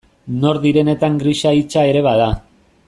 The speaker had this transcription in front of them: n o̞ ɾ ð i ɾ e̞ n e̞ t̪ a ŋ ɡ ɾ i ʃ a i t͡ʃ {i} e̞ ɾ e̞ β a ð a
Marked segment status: incorrect: a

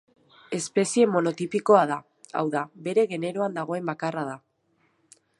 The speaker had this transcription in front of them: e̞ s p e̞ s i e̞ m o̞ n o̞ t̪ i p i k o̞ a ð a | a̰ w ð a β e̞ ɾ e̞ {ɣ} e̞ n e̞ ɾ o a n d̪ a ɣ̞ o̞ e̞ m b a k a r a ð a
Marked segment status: correct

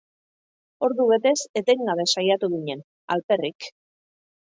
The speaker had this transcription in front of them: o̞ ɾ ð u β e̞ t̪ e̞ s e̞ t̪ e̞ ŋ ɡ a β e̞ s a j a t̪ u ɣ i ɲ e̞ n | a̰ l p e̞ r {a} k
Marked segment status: incorrect: i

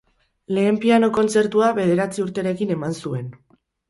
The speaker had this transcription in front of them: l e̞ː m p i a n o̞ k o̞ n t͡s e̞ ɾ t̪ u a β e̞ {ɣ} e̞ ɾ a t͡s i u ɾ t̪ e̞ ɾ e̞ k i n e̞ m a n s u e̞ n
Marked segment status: incorrect: ð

